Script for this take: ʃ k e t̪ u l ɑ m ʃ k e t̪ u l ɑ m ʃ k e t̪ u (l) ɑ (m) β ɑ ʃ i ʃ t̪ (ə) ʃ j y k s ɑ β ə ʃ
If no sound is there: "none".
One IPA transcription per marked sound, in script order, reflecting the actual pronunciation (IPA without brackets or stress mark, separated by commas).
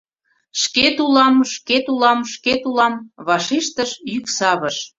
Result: l, m, ə